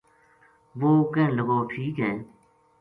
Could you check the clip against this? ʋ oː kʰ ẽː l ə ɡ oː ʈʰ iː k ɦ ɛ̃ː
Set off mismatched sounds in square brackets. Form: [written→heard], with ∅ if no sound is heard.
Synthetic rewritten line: ʋ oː [kʰ→k] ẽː l ə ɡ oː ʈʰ iː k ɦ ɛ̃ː